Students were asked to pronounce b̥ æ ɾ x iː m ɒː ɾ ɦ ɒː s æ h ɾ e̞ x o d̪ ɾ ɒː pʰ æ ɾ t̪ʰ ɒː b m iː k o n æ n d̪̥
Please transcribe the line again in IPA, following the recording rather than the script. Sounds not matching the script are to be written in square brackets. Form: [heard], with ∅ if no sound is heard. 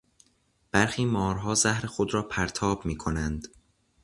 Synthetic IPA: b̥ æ ɾ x iː m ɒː ɾ ɦ ɒː [z] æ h ɾ e̞ x o d̪ ɾ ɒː pʰ æ ɾ t̪ʰ ɒː b m iː [kʰ] o n æ n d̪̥